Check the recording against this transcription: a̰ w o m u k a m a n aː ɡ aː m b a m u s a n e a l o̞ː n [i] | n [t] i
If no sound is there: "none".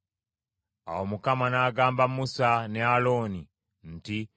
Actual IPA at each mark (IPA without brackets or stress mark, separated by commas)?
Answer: i, t